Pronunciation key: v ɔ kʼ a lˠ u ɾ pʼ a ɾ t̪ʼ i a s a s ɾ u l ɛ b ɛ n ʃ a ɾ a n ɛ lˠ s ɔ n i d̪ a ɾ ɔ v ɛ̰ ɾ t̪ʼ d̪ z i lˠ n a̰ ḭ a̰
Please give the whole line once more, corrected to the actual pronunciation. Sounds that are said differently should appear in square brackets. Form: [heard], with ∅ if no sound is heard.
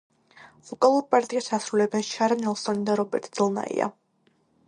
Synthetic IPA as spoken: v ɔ kʼ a lˠ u ɾ pʼ a ɾ t̪ʼ i a s a s ɾ u l ɛ b ɛ n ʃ a ɾ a n ɛ lˠ s ɔ n i d̪ a ɾ ɔ [b] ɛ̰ ɾ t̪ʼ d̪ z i lˠ n a̰ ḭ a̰